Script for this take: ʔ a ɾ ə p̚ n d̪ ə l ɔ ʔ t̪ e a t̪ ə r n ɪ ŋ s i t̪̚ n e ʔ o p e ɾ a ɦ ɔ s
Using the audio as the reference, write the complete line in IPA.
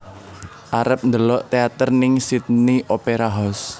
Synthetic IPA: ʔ a ɾ ə p̚ n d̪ ə l ɔ ʔ t̪ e a t̪ ə r n ɪ ŋ s i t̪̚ n i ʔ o p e ɾ a ɦ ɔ s